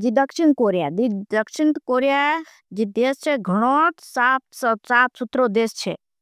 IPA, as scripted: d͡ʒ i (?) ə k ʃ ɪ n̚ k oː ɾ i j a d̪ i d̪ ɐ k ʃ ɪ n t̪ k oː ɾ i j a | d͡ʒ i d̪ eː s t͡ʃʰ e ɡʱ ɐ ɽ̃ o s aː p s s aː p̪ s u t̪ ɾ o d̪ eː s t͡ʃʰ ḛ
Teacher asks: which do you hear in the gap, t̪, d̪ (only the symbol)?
d̪